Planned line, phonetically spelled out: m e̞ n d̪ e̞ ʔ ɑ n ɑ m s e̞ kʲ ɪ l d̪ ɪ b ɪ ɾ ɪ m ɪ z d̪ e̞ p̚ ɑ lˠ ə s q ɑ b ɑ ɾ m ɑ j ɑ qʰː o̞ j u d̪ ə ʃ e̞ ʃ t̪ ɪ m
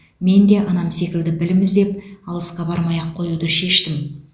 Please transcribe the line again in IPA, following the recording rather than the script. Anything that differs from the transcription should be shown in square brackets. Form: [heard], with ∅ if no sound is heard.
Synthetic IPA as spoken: m e̞ n d̪ e̞ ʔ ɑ n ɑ m s e̞ kʲ ɪ l d̪ ɪ b ɪ [l] ɪ m ɪ z d̪ e̞ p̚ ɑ lˠ ə s q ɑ b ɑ ɾ m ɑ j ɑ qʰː o̞ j u d̪ ə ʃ e̞ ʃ t̪ ɪ m